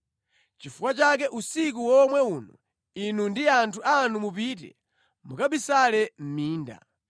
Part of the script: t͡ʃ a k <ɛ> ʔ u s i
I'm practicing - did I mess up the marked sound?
no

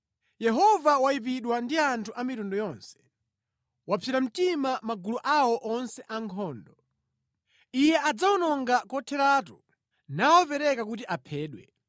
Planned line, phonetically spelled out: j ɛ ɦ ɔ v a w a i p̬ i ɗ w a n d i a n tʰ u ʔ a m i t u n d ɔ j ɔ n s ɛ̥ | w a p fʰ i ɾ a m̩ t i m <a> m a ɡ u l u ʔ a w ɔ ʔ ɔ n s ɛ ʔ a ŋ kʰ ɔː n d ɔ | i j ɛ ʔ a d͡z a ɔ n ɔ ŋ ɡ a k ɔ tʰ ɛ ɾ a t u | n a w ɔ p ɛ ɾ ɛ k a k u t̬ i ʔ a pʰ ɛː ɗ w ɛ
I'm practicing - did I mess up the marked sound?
no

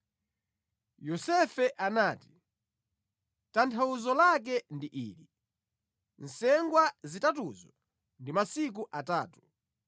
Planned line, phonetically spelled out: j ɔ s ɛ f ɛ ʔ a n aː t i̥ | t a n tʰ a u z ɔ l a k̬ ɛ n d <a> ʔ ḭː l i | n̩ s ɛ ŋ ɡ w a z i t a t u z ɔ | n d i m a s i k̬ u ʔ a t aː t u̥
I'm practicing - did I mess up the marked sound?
yes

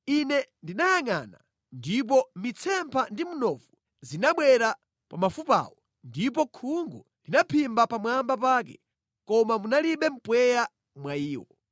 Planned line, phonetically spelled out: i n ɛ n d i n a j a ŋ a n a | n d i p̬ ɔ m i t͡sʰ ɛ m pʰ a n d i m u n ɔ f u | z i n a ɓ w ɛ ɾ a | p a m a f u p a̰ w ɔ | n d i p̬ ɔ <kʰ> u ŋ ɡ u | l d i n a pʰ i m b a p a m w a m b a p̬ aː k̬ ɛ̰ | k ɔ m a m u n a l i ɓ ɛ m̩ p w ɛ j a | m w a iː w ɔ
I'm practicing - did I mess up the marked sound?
no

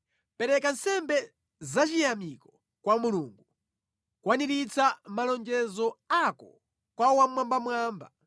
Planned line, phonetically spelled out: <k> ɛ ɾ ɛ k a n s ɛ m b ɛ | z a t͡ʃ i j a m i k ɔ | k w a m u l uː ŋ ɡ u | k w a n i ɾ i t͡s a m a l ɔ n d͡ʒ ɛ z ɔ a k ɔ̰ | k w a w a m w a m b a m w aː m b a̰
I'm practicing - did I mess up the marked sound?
yes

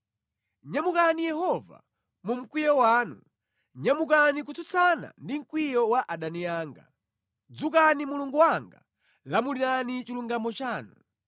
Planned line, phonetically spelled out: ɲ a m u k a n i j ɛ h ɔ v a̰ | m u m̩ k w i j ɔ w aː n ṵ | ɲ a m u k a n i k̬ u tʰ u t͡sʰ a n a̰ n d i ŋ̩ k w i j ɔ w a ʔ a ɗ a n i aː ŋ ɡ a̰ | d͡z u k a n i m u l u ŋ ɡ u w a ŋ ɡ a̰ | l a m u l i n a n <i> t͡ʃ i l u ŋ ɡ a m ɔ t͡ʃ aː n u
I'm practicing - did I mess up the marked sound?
no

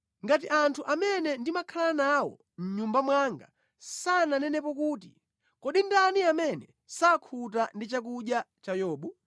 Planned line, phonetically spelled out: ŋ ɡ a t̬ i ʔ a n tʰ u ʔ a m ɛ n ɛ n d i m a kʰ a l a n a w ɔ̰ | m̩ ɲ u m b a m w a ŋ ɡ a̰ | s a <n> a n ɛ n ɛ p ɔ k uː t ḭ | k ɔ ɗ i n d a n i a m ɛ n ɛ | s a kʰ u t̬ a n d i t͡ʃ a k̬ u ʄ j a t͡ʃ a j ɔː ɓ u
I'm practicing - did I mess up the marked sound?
no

